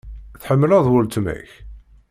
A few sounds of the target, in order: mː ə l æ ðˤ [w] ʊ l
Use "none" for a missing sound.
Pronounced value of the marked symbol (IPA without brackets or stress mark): w